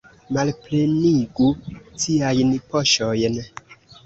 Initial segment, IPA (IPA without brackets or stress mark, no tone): m